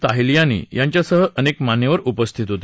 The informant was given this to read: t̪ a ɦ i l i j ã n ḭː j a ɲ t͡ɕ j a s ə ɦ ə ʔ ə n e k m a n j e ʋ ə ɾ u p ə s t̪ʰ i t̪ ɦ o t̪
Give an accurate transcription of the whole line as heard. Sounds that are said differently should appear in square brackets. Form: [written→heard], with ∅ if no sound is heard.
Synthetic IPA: t̪ a ɦ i l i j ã n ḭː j a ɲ t͡ɕ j a s ə ɦ ə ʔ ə n e k m a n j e ʋ ə ɾ u p ə s t̪ʰ i t̪ ɦ o t̪